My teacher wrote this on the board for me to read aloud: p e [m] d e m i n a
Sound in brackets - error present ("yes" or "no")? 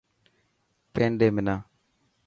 yes